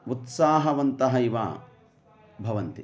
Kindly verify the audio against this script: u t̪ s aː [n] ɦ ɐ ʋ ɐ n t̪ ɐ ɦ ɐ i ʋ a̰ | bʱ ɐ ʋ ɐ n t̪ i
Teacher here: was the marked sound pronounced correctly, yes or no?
no